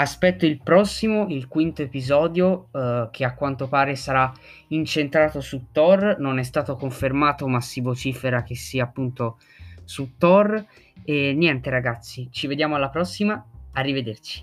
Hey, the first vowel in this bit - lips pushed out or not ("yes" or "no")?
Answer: no